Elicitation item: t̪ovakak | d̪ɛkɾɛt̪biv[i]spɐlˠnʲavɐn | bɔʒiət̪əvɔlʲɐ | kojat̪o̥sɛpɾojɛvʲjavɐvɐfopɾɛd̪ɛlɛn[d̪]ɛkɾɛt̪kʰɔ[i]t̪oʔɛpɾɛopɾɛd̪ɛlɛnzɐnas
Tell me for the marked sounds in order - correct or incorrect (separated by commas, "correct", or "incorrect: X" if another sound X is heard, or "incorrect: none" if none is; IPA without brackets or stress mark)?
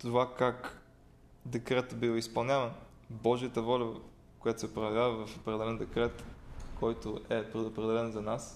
correct, correct, incorrect: j